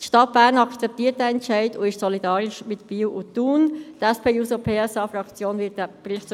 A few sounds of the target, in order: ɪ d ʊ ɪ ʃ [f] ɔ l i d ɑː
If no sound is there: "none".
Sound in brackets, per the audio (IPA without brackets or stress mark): s